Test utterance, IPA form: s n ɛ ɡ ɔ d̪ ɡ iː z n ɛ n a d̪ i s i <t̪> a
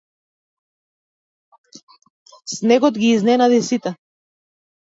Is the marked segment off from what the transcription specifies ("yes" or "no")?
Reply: no